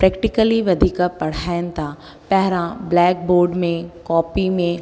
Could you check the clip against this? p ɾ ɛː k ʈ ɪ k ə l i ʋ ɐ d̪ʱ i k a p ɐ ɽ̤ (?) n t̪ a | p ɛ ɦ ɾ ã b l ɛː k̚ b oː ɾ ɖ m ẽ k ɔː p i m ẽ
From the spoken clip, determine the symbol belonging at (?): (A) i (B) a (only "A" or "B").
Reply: B